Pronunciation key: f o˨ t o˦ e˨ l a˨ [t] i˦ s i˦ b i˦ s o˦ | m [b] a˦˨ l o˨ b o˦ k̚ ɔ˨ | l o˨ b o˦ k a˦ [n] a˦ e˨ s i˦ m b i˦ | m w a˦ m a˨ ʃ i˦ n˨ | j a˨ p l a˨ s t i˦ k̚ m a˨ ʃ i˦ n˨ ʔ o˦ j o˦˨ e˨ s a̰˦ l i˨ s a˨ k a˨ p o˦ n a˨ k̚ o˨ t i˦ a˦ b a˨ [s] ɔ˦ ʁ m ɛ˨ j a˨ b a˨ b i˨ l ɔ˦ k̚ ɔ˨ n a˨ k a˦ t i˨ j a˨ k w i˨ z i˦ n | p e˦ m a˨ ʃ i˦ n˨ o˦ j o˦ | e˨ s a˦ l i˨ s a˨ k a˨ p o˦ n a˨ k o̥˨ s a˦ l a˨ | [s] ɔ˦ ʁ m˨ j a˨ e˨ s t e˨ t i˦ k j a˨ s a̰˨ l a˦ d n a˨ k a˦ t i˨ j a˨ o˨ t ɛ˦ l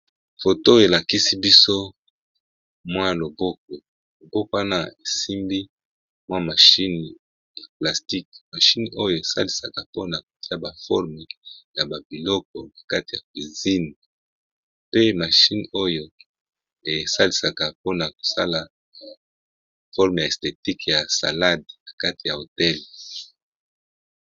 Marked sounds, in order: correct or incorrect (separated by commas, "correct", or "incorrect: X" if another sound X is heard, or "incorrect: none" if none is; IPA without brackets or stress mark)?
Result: incorrect: k, incorrect: w, correct, incorrect: f, incorrect: f